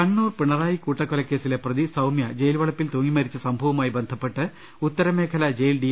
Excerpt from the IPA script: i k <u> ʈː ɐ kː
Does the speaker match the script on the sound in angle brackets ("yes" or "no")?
no